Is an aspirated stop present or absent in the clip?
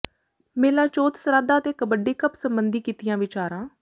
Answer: absent